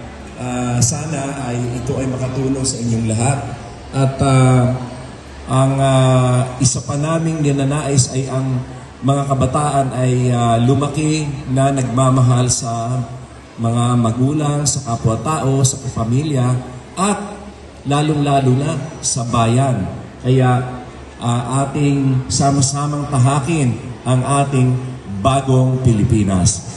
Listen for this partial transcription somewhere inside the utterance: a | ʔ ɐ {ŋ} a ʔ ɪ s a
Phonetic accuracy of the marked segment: correct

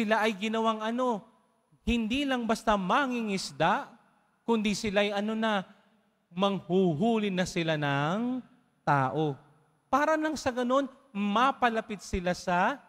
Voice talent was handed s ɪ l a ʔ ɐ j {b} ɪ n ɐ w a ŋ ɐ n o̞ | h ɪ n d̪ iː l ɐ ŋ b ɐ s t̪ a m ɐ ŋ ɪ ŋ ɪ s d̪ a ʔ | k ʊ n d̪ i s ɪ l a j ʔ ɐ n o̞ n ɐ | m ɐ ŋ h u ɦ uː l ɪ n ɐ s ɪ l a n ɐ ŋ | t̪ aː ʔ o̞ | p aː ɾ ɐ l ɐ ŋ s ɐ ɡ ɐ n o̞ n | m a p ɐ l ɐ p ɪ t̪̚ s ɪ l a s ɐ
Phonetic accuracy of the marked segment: incorrect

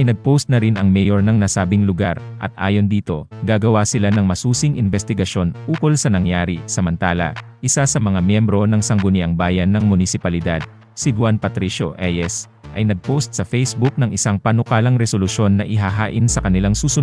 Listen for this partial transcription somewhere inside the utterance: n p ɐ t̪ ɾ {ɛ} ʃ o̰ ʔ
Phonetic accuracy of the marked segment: incorrect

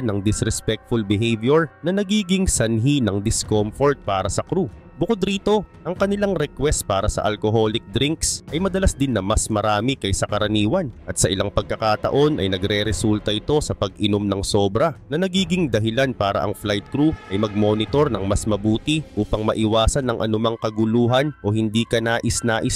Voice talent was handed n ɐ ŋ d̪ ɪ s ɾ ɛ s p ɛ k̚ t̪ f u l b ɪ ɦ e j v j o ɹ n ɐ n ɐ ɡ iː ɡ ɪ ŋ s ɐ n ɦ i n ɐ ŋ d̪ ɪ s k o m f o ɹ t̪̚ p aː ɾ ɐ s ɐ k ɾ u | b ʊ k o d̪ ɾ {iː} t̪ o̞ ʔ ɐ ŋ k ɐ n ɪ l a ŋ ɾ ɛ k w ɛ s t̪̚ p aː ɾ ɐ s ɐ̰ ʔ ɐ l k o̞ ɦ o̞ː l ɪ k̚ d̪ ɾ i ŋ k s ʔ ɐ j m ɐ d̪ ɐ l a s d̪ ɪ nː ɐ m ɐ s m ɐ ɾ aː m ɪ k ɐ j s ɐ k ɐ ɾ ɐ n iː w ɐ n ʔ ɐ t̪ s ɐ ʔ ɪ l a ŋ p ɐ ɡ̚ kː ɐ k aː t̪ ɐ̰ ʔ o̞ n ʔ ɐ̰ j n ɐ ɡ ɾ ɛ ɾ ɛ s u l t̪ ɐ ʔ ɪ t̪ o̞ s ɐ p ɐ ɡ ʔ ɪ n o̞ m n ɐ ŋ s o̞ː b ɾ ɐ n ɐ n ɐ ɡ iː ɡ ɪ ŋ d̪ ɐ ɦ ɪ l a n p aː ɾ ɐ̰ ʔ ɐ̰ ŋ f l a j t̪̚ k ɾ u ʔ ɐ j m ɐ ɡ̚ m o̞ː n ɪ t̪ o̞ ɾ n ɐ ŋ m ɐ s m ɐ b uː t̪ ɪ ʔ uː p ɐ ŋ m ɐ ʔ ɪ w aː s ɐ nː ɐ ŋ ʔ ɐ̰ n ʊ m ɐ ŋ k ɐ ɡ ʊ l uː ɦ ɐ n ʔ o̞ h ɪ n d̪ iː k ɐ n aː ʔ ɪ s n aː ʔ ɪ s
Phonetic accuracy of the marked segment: correct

